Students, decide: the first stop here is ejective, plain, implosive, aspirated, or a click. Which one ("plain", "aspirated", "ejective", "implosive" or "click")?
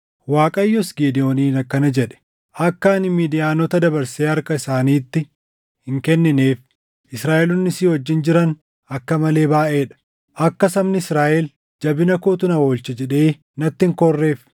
ejective